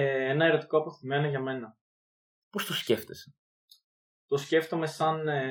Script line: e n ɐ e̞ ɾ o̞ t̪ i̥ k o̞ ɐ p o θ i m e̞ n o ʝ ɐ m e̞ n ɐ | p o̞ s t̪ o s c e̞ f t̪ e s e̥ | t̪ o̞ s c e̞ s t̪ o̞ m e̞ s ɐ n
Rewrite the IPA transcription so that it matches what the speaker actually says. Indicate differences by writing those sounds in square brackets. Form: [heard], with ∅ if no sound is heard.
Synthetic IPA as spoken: e n ɐ e̞ ɾ o̞ t̪ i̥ k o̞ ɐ p o θ i m e̞ n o ʝ ɐ m e̞ n ɐ | p o̞ s t̪ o s c e̞ f t̪ e s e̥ | t̪ o̞ s c e̞ [f] t̪ o̞ m e̞ s ɐ n